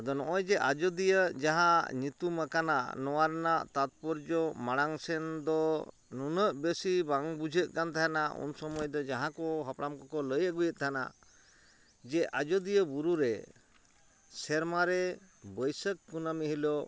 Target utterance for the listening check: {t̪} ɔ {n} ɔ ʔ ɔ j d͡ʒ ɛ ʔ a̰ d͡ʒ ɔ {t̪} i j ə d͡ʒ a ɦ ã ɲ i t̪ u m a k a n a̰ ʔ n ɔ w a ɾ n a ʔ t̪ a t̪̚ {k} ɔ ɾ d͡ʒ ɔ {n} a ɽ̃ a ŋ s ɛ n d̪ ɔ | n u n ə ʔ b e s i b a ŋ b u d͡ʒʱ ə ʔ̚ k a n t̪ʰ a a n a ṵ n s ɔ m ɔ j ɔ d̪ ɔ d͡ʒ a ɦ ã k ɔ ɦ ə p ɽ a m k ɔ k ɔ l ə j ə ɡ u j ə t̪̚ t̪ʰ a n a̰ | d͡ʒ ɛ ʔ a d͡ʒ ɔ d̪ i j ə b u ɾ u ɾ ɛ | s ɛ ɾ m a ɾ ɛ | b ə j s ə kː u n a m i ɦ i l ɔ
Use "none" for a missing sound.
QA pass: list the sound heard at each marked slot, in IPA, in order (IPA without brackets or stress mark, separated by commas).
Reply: d̪, n, d̪, p, m